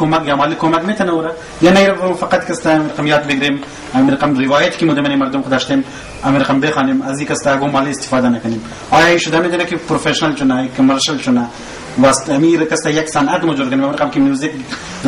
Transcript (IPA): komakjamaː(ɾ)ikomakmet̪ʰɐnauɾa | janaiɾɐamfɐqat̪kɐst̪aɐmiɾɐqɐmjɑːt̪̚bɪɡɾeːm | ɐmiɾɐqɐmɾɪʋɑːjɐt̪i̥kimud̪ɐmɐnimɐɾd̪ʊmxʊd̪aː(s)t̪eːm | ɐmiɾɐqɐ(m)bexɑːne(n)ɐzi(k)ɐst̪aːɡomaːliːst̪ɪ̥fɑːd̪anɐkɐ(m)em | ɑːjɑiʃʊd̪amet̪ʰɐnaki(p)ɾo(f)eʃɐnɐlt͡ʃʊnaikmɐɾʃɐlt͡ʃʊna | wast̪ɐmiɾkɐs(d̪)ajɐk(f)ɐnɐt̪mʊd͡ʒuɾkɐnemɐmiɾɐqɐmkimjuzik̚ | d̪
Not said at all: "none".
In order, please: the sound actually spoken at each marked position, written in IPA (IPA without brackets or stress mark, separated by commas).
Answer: l, ʃ, m, m, k, n, p, f, t̪, s